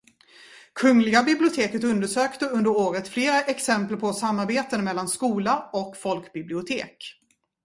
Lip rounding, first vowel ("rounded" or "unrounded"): rounded